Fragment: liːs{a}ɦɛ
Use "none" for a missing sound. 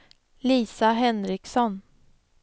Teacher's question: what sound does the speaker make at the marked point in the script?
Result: a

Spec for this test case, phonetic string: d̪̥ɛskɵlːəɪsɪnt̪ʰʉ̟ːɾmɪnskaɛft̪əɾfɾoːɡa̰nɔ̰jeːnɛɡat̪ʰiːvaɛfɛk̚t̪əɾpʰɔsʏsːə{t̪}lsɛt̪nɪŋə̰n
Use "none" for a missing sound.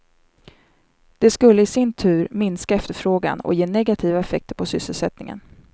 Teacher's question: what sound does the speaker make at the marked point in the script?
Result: none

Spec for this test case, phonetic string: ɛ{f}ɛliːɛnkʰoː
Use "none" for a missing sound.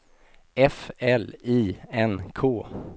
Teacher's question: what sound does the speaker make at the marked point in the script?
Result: f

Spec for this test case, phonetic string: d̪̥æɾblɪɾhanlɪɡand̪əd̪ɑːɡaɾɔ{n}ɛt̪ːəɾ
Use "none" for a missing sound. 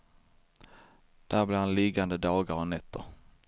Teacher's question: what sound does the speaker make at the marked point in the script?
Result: n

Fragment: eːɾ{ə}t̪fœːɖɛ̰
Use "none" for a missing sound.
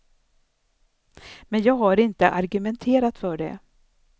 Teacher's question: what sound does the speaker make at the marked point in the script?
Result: a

